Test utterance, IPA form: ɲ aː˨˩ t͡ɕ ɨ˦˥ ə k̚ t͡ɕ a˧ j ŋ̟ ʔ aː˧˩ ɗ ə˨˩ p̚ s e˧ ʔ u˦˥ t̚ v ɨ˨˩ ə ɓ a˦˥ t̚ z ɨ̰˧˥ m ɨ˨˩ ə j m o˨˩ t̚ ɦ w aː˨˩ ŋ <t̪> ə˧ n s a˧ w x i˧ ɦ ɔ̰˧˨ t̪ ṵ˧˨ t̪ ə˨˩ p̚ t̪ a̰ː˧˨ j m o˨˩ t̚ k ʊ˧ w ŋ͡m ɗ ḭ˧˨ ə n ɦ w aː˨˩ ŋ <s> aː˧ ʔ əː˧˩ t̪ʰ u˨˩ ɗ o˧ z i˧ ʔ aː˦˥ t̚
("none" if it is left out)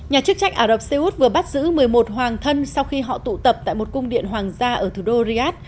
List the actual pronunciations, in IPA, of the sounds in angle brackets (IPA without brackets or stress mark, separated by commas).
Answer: t̪ʰ, z